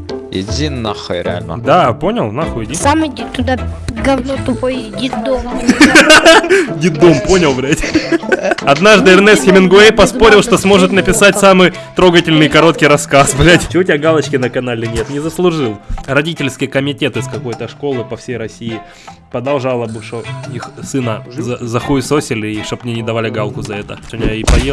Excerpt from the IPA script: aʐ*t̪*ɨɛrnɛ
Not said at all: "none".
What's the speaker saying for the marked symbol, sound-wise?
d̪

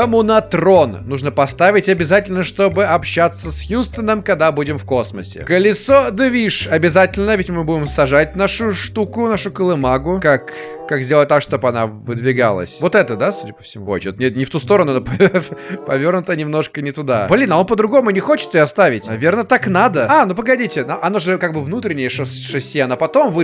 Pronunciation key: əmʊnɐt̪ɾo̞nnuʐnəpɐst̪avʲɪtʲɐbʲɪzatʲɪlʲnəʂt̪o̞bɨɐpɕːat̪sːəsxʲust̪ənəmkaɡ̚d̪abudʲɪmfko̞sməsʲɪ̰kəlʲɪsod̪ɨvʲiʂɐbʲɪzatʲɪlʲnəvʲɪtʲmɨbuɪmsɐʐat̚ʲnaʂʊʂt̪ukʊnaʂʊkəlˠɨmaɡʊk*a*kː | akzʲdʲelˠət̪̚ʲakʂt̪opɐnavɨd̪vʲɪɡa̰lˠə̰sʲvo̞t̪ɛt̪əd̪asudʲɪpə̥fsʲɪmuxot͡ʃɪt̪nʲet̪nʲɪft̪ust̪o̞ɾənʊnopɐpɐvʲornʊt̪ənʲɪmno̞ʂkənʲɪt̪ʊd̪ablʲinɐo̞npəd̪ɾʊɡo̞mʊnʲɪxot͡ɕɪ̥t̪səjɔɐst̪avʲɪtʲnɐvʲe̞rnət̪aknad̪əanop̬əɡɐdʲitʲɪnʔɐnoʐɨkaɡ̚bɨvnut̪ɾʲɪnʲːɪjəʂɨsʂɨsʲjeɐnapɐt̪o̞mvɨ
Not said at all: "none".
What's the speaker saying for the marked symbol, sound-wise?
a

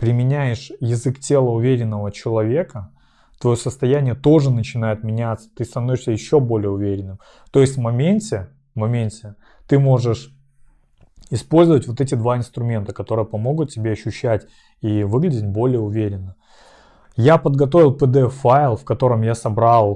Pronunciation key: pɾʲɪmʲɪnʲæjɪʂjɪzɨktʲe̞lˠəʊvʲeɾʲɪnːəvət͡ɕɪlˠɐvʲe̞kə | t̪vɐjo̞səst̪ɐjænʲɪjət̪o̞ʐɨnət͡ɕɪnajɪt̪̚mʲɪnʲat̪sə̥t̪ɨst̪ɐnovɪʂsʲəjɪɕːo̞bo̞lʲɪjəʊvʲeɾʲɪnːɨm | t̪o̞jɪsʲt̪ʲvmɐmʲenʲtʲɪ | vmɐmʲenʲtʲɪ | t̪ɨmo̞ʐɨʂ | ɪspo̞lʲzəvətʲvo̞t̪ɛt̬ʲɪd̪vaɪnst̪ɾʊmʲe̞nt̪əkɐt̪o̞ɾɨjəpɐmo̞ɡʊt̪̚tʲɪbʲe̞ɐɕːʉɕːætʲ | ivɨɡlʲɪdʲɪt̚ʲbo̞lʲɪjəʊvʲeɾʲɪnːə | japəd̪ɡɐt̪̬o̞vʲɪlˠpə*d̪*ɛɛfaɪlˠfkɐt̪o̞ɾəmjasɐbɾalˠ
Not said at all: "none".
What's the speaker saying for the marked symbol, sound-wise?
d̪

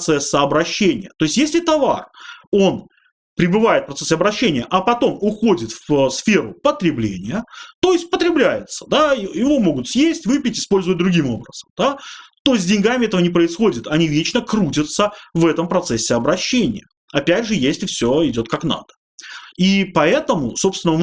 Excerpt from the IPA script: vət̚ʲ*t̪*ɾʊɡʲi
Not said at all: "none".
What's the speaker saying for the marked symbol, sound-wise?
d̪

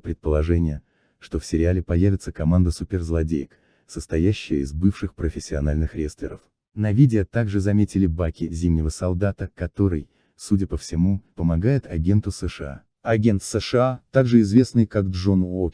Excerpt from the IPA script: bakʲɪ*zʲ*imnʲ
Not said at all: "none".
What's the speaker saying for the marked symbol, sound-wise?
zʲ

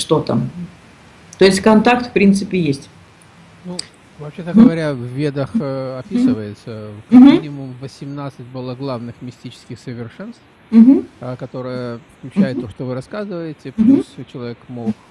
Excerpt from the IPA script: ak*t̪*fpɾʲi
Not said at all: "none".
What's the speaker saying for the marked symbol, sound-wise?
t̪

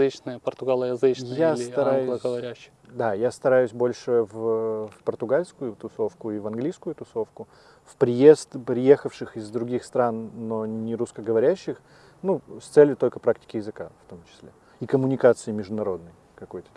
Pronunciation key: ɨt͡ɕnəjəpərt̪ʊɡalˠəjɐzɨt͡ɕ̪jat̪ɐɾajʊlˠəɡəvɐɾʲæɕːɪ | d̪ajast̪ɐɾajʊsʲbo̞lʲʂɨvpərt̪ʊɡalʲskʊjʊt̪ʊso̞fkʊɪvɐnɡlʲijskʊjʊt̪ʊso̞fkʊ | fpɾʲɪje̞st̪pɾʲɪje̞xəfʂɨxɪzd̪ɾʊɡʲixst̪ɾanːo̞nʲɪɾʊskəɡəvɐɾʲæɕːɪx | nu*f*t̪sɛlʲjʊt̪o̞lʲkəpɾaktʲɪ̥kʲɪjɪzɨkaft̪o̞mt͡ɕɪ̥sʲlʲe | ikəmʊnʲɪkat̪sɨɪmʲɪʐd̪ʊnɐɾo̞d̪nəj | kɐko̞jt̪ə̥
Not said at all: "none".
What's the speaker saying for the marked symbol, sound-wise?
s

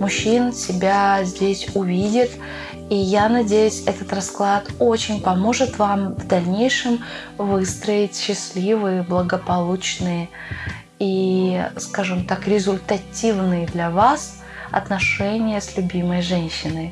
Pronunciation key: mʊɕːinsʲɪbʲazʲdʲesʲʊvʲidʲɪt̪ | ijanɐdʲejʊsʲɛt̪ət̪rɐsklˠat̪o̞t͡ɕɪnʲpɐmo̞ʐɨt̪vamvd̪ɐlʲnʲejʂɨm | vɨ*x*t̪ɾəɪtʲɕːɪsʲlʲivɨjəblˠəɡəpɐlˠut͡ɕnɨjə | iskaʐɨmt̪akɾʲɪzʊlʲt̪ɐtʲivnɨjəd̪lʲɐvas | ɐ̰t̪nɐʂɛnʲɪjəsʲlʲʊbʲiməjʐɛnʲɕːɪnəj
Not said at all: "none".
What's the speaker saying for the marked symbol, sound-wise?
s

